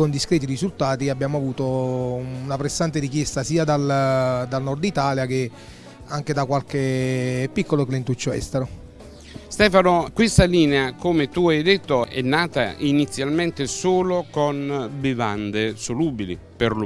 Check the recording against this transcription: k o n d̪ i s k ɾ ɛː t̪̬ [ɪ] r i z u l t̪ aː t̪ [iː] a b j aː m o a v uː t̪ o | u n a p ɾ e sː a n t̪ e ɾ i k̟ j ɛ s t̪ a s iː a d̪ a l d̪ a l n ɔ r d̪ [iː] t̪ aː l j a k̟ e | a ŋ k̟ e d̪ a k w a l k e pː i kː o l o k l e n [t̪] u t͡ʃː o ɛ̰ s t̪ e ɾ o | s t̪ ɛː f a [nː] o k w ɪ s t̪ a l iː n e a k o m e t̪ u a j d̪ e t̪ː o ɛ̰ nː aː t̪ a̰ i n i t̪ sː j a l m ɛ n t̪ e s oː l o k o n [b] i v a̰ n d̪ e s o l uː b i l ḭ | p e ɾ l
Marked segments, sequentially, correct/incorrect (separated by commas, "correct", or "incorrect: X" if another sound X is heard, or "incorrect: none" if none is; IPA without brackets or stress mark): incorrect: i, incorrect: i, incorrect: i, correct, incorrect: n, correct